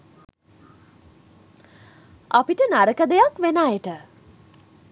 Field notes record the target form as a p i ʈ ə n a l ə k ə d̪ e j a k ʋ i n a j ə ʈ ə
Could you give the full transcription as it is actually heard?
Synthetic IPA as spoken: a p i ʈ ə n a ɾ ə k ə d̪ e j a k ʋ e n a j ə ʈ ə